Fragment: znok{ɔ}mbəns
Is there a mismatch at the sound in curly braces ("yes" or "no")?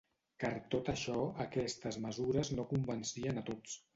yes